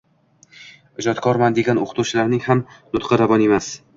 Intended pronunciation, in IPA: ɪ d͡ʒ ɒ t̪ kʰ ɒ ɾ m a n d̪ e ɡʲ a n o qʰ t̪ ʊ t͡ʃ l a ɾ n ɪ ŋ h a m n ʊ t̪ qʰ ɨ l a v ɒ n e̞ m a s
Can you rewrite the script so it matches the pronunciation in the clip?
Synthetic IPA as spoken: ɪ d͡ʒ ɒ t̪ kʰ ɒ ɾ m a n d̪ e ɡʲ a n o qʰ t̪ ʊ t͡ʃ l a ɾ n ɪ ŋ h a m n ʊ t̪ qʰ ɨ ɾ a v ɒ n e̞ m a s